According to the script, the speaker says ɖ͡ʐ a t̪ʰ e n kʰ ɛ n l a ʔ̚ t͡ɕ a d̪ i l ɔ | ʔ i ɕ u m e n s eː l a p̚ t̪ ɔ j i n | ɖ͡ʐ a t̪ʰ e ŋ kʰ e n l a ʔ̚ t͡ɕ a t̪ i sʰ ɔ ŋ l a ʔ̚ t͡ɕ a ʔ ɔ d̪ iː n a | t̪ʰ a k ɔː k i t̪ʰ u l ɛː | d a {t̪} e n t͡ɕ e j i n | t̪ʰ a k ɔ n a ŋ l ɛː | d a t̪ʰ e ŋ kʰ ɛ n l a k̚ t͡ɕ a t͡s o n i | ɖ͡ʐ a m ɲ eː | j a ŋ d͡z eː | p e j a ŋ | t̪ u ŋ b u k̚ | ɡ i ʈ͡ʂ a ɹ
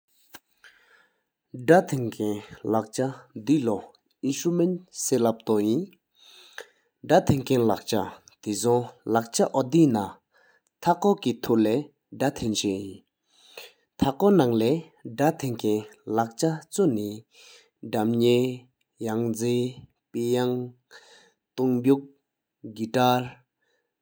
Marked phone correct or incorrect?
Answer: incorrect